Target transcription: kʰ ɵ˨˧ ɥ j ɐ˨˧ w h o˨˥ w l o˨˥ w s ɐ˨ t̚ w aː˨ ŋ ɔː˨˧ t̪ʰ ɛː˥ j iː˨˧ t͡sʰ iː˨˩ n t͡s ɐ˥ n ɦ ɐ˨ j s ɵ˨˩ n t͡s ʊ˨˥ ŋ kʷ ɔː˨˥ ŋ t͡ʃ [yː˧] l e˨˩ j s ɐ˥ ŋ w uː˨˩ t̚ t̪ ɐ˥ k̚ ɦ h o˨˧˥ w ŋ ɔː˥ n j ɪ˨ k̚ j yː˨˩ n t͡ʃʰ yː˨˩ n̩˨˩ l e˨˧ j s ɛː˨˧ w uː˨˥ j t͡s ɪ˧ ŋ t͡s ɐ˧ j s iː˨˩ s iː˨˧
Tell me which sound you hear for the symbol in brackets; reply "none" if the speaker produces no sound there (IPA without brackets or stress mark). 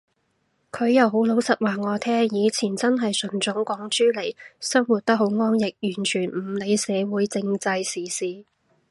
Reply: yː˥